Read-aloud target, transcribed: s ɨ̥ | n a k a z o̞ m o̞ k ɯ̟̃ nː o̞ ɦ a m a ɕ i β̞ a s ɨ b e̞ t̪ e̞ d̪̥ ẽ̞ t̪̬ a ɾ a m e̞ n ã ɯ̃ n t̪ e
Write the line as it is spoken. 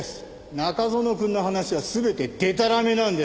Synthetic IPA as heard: s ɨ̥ | n a k a z o̞ n o̞ k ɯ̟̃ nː o̞ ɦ a n a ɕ i β̞ a s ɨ b e̞ t̪ e̞ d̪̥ e̞ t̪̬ a ɾ a m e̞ n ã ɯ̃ n d̪ e